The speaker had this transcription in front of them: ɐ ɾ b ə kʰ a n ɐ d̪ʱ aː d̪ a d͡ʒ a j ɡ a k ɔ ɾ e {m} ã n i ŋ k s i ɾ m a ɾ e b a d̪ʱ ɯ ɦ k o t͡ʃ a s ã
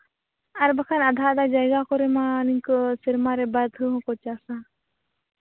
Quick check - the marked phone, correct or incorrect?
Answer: correct